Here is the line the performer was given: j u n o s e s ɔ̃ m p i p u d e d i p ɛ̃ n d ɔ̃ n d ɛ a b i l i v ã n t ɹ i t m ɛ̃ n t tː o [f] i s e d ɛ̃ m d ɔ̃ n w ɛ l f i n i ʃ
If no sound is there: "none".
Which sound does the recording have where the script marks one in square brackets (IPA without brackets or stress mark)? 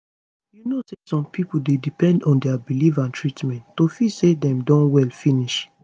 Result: f